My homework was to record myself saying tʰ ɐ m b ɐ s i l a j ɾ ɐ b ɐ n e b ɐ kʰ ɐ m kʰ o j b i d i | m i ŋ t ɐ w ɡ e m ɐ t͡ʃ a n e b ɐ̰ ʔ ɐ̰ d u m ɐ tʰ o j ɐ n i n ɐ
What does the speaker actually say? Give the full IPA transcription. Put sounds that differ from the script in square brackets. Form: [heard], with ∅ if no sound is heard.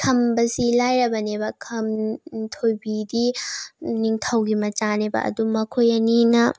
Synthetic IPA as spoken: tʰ ɐ m b ɐ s i l a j ɾ ɐ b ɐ n e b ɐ kʰ ɐ m [tʰ] o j b i d i | [n] i ŋ [tʰ] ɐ w ɡ [i] m ɐ t͡ʃ a n e b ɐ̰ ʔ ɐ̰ d u m ɐ [kʰ] o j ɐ n i n ɐ

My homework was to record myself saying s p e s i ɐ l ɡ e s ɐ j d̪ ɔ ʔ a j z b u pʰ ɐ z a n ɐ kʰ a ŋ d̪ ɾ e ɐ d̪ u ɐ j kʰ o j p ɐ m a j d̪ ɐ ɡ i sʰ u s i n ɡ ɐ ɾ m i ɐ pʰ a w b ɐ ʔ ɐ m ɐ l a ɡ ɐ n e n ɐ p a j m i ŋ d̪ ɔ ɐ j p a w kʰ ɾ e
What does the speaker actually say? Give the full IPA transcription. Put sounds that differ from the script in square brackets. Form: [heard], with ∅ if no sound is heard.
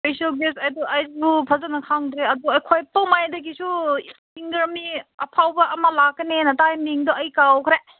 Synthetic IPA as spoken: s p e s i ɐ l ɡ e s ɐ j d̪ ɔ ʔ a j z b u pʰ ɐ z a n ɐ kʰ a ŋ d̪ ɾ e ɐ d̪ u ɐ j kʰ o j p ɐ m a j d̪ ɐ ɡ i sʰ u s i [ŋ] ɡ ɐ ɾ m i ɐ pʰ a w b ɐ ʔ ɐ m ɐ l a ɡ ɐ n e n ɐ [t] a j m i ŋ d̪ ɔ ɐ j [k] a w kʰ ɾ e

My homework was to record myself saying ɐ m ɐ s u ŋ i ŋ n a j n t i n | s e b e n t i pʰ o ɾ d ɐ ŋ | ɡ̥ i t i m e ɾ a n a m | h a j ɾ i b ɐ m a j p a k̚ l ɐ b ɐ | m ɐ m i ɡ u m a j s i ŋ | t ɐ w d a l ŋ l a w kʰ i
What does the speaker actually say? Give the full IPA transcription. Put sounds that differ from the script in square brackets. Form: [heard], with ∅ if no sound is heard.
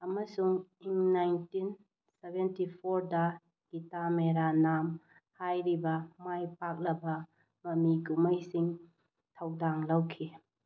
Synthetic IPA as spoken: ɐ m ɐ s u ŋ i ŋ n a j n t i n | s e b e n t i pʰ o ɾ d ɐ [∅] | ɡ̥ i t [a] m e ɾ a n a m | h a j ɾ i b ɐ m a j p a k̚ l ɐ b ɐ | m ɐ m i ɡ u m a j s i ŋ | [tʰ] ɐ w d a [∅] ŋ l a w kʰ i

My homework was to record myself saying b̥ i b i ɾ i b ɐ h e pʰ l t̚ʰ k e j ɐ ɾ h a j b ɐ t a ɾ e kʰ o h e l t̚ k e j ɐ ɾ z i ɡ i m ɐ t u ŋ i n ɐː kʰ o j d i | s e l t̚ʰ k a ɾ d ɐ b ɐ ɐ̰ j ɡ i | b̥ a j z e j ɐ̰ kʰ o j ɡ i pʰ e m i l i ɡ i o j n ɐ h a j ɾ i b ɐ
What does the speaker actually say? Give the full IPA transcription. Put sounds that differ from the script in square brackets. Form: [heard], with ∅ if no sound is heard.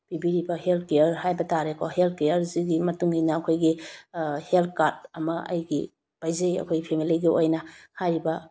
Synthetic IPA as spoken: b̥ i b i ɾ i b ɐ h e [∅] l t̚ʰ k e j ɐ ɾ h a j b ɐ t a ɾ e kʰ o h e l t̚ k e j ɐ ɾ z i ɡ i m ɐ t u ŋ i n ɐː kʰ o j [ɡ] i | [h] e l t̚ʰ k a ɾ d ɐ [m] ɐ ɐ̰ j ɡ i | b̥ a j z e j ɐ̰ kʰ o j ɡ i pʰ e m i l i ɡ i o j n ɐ h a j ɾ i b ɐ

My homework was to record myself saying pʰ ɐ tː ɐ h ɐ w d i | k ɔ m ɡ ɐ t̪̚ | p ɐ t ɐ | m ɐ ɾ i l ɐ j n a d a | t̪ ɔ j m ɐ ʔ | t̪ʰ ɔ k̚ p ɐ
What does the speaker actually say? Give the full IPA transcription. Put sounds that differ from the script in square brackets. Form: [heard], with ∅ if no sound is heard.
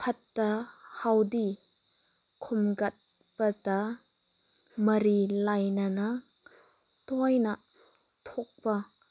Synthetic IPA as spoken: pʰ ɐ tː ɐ h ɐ w d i | [kʰ] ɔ m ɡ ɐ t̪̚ | p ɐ t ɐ | m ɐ ɾ i l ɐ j n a [n] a | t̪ ɔ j [n] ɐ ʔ | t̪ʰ ɔ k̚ p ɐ

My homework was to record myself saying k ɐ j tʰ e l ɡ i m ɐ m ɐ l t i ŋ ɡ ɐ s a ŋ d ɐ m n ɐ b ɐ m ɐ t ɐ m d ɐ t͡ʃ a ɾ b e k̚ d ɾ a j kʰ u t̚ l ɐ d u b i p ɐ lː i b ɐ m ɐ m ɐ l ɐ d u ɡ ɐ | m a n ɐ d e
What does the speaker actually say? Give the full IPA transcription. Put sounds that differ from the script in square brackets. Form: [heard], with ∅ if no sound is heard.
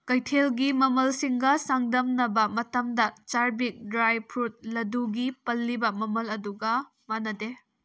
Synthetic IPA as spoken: k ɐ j tʰ e l ɡ i m ɐ m ɐ l [s] i ŋ ɡ ɐ s a ŋ d ɐ m n ɐ b ɐ m ɐ t ɐ m d ɐ t͡ʃ a ɾ b [i] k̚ d ɾ a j [pʰ] u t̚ l ɐ d u [ɡ] i p ɐ lː i b ɐ m ɐ m ɐ l ɐ d u ɡ ɐ | m a n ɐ d e

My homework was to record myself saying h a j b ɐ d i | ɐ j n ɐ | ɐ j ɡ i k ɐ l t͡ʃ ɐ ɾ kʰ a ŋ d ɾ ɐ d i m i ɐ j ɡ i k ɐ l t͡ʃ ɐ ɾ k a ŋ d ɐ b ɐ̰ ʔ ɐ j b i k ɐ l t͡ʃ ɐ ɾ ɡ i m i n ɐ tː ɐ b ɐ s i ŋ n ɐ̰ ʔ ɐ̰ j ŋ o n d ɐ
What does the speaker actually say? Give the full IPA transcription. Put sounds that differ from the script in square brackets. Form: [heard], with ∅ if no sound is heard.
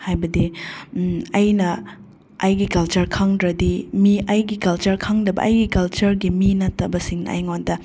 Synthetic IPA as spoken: h a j b ɐ d i | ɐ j n ɐ | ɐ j ɡ i k ɐ l t͡ʃ ɐ ɾ kʰ a ŋ d ɾ ɐ d i m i ɐ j ɡ i k ɐ l t͡ʃ ɐ ɾ [kʰ] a ŋ d ɐ b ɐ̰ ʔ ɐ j [ɡ] i k ɐ l t͡ʃ ɐ ɾ ɡ i m i n ɐ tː ɐ b ɐ s i ŋ n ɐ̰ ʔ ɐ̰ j ŋ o n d ɐ

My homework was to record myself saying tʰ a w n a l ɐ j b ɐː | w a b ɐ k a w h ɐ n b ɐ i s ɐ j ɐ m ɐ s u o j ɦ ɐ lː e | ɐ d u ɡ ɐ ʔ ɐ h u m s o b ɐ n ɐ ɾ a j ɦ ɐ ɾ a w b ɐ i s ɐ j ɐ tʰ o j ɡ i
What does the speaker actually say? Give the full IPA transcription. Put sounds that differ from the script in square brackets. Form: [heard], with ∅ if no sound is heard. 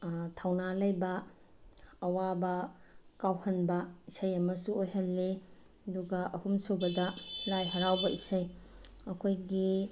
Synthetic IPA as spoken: tʰ a w n a l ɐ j b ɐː | w a b ɐ k a w h ɐ n b ɐ i s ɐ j ɐ m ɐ s u o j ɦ ɐ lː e | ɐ d u ɡ ɐ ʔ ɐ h u m s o b ɐ [d] ɐ [l] a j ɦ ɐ ɾ a w b ɐ i s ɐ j ɐ [kʰ] o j ɡ i

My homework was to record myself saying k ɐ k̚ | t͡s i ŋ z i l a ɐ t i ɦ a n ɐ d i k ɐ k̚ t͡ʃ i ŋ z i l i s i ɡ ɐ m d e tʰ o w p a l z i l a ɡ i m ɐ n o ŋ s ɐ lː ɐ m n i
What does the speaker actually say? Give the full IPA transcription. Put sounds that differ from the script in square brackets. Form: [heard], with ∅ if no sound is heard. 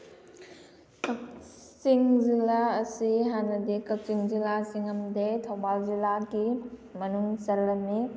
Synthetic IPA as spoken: k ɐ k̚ | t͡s i ŋ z i l a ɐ [s] i ɦ a n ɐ d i k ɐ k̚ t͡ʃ i ŋ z i l [a] s i [ŋ] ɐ m d e tʰ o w [b] a l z i l a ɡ i m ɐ n [u] ŋ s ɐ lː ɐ m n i

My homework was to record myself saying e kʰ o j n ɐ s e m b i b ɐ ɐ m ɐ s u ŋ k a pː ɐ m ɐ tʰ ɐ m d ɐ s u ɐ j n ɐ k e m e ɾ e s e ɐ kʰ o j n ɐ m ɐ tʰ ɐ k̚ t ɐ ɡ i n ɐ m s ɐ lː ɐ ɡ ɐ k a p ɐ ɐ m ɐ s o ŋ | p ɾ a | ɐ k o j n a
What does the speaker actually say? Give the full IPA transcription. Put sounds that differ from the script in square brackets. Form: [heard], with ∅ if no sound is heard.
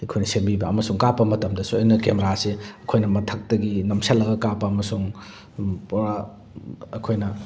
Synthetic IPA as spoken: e kʰ o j n ɐ s e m b i b ɐ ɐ m ɐ s u ŋ k a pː ɐ m ɐ [t] ɐ m d ɐ s u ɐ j n ɐ k e m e ɾ [a] s e ɐ kʰ o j n ɐ m ɐ tʰ ɐ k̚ t ɐ ɡ i n ɐ m s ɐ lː ɐ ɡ ɐ k a p ɐ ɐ m ɐ s [u] ŋ | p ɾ a | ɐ [kʰ] o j n [ɐ]

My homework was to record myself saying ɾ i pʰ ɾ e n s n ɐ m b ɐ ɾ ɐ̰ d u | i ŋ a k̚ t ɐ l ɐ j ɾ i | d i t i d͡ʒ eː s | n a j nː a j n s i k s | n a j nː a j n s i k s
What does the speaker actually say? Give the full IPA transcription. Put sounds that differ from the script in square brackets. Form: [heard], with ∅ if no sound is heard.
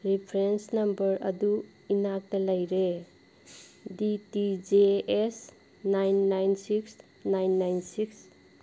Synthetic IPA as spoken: ɾ i pʰ ɾ e n s n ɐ m b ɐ ɾ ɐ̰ d u | i [n] a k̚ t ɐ l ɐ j ɾ [e] | d i t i d͡ʒ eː s | n a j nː a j n s i k s | n a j nː a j n s i k s

